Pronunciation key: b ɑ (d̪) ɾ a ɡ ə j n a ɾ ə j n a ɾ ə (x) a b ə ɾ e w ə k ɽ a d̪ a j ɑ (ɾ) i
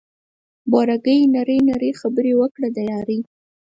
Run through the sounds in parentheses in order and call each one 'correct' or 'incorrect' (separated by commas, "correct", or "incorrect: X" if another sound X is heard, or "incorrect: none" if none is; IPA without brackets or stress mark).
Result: incorrect: none, correct, correct